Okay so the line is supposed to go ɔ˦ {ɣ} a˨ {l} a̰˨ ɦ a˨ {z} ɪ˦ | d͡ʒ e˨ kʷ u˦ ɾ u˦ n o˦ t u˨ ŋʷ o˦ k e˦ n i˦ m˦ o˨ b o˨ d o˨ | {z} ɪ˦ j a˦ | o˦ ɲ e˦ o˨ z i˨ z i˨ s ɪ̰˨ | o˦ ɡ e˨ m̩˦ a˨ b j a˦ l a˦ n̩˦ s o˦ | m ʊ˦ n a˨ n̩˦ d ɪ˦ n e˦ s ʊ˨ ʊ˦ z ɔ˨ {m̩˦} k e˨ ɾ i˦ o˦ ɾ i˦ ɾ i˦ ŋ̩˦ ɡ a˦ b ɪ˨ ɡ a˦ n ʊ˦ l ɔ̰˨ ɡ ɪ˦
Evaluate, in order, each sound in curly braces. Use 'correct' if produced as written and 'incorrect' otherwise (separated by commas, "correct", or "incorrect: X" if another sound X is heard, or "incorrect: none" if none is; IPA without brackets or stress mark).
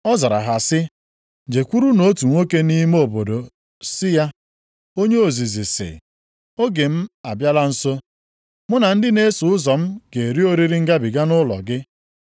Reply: incorrect: z, incorrect: ɾ, incorrect: s, incorrect: s, correct